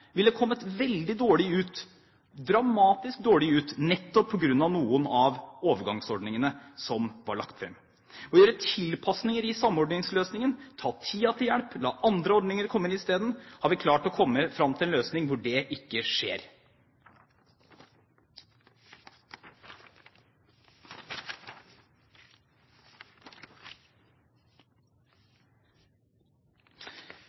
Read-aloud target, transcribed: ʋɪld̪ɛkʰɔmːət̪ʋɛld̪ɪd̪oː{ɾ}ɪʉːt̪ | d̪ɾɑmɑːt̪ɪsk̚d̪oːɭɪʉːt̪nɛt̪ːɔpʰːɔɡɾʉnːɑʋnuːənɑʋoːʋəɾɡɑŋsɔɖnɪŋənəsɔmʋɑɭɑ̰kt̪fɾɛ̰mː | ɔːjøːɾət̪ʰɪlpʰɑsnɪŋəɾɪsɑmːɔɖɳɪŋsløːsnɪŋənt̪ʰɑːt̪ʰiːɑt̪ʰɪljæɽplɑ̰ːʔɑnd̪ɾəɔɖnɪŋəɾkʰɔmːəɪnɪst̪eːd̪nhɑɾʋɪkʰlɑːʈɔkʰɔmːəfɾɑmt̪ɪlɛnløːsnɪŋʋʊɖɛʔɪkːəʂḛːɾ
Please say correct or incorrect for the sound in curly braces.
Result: incorrect: ɭ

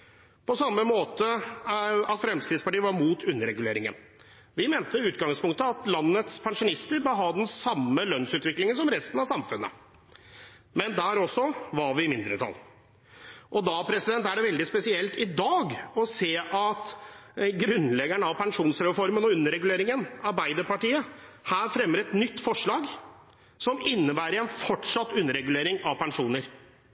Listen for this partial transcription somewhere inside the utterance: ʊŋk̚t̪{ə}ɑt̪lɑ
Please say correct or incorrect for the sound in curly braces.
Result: correct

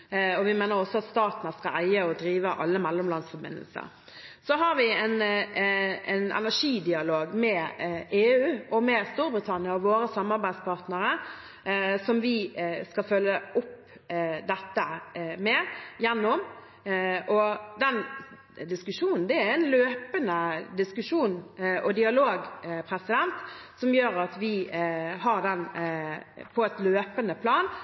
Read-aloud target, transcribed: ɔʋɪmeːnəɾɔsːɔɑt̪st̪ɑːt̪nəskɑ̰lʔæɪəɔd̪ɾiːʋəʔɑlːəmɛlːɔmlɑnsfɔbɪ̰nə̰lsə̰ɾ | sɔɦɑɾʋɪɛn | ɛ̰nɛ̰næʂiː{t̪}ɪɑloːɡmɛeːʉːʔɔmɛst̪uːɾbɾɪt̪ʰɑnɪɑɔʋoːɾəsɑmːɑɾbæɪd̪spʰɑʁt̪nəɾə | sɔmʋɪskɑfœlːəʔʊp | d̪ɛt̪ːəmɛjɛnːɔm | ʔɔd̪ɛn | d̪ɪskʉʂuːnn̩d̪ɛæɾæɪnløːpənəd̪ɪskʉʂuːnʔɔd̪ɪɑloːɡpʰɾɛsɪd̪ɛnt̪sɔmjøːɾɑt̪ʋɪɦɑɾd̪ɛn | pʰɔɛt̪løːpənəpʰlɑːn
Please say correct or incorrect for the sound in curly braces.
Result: incorrect: d̪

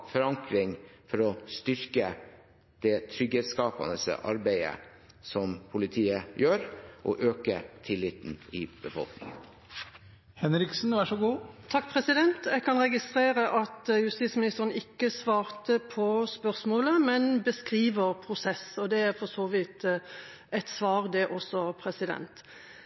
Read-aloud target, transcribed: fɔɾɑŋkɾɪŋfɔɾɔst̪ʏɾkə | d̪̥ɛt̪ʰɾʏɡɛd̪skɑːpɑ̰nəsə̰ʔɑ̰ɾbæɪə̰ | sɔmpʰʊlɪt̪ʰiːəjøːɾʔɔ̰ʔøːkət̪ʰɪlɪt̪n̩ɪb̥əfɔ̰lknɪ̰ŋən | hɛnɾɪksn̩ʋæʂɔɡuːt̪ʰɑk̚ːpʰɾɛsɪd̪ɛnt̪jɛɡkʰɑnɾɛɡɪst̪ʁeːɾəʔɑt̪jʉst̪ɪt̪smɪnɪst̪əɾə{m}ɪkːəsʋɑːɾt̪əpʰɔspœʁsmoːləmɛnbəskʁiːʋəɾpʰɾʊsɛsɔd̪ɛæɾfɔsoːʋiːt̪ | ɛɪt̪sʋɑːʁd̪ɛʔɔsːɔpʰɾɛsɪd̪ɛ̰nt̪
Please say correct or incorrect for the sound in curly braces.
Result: incorrect: n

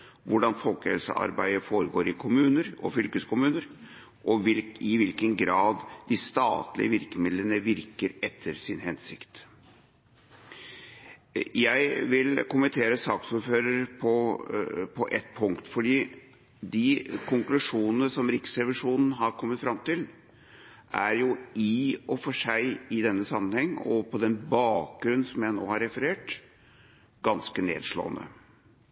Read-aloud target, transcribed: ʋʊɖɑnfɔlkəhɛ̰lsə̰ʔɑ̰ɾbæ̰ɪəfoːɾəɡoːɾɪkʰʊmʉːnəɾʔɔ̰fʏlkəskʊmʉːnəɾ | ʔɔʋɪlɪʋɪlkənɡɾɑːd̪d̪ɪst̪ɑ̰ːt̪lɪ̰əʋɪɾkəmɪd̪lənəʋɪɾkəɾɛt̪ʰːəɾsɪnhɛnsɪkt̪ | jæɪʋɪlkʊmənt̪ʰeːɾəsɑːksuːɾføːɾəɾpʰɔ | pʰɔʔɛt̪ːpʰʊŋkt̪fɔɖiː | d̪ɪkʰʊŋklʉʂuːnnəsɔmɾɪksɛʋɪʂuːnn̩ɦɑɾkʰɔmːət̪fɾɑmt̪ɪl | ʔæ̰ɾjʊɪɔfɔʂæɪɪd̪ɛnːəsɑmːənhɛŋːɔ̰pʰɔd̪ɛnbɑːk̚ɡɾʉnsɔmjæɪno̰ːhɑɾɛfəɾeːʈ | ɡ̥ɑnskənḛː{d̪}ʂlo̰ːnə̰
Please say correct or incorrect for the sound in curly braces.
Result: correct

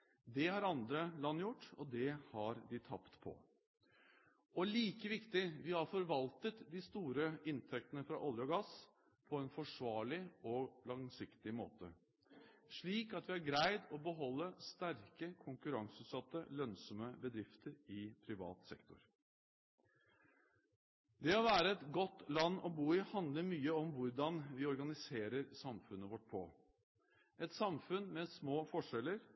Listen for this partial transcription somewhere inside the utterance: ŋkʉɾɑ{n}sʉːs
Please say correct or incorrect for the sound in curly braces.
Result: incorrect: ŋ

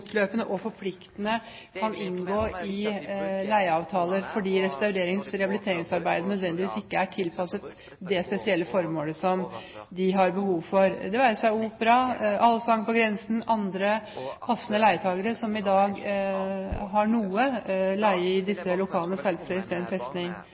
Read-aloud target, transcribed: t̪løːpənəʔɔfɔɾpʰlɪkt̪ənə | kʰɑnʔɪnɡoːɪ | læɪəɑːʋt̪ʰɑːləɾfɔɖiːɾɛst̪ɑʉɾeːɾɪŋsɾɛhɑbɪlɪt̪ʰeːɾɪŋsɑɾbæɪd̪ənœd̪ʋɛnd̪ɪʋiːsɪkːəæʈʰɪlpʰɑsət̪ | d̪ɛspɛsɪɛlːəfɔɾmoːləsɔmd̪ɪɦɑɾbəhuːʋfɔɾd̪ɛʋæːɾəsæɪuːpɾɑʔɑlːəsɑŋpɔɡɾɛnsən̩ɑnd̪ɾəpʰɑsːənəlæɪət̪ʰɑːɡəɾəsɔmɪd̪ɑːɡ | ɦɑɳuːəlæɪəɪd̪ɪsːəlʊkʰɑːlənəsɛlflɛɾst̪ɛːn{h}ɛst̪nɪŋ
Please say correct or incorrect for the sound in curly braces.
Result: incorrect: f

